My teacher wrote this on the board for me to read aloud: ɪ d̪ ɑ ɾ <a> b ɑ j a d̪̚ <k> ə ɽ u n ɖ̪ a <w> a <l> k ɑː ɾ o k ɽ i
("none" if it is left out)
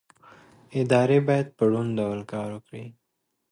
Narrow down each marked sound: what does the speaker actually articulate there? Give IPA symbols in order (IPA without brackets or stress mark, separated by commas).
e, p, w, l